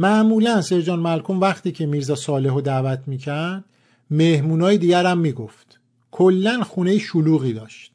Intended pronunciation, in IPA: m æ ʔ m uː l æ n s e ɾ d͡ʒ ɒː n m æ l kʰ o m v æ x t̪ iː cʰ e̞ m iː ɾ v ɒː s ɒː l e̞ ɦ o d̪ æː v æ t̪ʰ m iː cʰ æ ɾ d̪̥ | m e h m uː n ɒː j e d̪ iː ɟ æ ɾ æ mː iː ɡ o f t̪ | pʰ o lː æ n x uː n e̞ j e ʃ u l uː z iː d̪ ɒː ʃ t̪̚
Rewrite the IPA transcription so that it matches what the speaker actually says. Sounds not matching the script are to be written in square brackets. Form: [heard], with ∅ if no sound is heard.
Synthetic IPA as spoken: m æ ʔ m uː l æ n s e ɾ d͡ʒ ɒː n m æ l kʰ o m v æ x t̪ iː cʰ e̞ m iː ɾ [z] ɒː s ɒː l e̞ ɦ o d̪ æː v æ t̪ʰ m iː cʰ æ ɾ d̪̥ | m e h m uː n ɒː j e d̪ iː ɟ æ ɾ æ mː iː ɡ o f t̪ | [kʰ] o lː æ n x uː n e̞ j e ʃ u l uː [ɣ] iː d̪ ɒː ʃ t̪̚